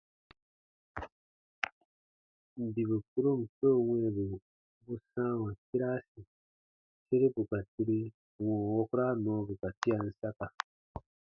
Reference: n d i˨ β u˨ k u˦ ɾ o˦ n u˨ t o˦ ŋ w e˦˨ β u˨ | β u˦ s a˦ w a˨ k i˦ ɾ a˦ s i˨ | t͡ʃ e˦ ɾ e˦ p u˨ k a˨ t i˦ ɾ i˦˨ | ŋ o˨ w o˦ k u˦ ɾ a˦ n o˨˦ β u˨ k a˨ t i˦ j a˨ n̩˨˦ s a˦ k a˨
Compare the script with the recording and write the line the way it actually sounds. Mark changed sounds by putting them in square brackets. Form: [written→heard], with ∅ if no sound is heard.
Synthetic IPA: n d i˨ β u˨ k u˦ ɾ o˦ [n→m] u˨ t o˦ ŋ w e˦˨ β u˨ | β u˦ s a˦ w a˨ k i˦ ɾ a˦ s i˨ | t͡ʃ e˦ ɾ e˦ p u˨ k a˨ t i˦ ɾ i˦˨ | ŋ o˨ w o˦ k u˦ ɾ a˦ n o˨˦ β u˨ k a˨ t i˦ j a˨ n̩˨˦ s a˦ k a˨